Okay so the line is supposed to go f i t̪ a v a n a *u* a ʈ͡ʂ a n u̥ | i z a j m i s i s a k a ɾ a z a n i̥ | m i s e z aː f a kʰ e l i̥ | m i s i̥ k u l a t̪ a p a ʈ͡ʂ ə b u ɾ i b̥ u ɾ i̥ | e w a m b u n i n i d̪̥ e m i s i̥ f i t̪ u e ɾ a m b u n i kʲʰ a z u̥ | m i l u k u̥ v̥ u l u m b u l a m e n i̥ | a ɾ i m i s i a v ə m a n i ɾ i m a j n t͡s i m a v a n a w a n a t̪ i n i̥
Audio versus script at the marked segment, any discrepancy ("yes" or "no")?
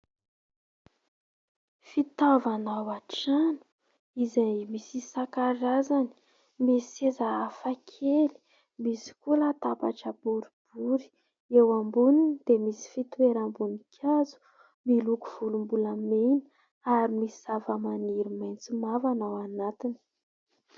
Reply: yes